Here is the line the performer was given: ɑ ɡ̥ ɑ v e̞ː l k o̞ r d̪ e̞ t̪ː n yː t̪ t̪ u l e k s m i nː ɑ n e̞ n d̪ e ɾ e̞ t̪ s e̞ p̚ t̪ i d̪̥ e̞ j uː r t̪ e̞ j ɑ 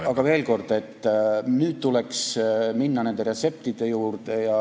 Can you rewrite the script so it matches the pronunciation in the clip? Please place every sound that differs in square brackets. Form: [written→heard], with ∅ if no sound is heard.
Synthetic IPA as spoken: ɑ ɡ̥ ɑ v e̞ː l k o̞ r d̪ e̞ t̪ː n yː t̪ t̪ u l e k s m i nː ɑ n e̞ n d̪ e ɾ e̞ t̪ s e̞ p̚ t̪ i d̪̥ e̞ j uː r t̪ e̞ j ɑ